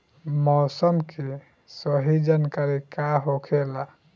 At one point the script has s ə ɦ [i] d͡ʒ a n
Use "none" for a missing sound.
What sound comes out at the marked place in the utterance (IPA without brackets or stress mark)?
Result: i